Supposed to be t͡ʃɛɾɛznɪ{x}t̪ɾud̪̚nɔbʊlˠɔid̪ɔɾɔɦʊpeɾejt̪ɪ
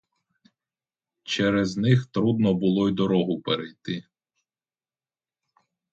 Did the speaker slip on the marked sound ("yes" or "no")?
no